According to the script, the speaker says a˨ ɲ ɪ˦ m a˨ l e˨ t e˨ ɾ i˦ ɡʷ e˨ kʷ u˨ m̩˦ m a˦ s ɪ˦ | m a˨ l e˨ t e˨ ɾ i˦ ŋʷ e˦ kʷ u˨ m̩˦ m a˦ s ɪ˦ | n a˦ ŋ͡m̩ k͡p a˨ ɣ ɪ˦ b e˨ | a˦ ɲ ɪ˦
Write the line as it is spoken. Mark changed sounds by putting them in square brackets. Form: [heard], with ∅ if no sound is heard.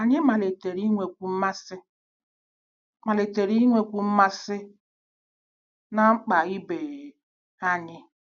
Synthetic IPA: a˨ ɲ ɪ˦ m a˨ l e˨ t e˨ ɾ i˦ [ŋʷ] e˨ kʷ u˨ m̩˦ m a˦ s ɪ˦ | m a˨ l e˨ t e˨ ɾ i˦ ŋʷ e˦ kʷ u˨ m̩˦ m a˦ s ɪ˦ | n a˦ ŋ͡m̩ k͡p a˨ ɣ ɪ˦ b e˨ | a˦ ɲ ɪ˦